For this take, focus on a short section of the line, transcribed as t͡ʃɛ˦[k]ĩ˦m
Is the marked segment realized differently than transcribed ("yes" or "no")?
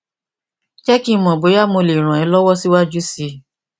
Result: no